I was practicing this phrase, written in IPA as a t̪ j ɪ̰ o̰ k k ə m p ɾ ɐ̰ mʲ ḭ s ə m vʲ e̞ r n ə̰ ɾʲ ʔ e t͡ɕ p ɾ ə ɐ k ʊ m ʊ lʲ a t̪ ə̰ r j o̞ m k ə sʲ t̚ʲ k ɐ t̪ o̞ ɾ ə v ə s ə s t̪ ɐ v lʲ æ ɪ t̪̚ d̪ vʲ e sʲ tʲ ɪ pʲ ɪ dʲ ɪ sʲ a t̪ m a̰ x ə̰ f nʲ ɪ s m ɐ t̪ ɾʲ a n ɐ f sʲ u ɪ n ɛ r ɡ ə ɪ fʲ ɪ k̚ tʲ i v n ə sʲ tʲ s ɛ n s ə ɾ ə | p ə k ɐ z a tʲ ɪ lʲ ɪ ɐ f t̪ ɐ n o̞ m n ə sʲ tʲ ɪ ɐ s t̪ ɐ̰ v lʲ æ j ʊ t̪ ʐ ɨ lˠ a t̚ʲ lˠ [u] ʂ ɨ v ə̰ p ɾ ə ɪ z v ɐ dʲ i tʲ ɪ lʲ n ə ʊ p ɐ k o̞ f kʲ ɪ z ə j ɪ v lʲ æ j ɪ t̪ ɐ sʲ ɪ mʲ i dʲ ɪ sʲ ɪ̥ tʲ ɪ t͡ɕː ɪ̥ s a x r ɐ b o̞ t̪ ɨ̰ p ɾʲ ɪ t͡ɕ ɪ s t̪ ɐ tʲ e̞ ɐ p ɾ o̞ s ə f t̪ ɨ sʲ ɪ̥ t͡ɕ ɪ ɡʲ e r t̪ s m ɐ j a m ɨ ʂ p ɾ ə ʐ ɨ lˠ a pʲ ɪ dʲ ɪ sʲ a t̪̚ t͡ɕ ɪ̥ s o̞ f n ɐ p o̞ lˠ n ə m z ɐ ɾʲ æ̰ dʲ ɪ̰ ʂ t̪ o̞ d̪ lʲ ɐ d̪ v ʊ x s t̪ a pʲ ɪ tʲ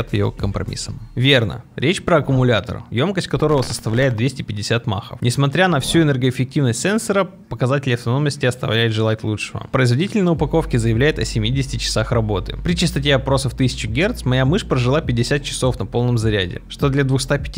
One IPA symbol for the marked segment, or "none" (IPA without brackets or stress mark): u